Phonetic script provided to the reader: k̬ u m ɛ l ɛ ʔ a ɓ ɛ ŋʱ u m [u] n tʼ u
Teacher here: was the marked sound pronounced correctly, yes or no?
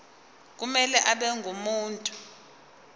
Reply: no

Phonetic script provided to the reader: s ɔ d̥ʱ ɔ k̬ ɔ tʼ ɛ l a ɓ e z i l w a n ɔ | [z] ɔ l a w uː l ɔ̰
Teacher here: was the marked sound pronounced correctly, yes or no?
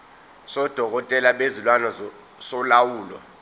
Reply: no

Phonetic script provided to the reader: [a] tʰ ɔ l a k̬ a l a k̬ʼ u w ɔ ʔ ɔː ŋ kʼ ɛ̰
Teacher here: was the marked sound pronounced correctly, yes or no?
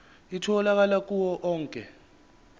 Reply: no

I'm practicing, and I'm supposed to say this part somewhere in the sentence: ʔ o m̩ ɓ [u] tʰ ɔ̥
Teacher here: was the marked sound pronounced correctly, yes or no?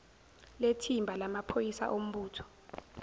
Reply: no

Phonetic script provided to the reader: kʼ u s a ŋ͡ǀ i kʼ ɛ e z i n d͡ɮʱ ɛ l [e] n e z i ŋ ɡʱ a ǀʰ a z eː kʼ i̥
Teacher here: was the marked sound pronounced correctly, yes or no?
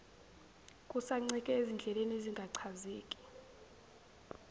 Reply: yes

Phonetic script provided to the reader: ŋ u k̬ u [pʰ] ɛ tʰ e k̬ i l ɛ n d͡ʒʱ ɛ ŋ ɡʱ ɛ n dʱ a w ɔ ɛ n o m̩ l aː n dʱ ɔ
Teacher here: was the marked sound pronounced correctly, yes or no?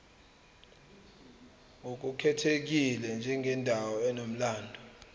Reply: no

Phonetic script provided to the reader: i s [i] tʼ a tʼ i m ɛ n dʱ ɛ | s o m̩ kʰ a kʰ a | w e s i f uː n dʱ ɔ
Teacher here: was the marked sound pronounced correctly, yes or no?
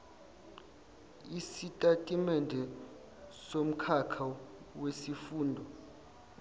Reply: yes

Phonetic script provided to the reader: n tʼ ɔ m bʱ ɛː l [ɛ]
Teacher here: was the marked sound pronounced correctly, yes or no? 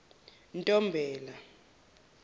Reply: no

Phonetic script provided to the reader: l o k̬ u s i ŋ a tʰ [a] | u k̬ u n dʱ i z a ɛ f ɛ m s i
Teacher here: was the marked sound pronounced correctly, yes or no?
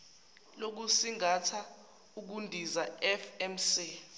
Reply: yes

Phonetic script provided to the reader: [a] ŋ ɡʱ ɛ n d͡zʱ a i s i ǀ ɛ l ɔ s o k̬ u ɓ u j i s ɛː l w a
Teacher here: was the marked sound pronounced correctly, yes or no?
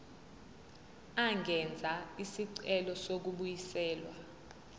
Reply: yes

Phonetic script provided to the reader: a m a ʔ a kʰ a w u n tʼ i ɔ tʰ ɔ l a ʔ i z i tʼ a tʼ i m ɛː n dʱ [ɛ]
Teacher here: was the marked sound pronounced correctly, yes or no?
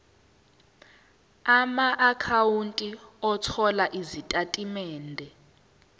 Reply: yes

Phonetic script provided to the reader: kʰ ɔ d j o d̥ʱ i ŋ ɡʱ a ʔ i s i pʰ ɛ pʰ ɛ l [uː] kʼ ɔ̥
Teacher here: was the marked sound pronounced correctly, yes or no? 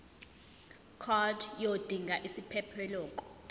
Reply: no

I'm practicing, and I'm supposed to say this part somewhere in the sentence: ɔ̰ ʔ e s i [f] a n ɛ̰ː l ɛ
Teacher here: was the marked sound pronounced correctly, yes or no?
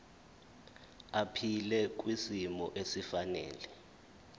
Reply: yes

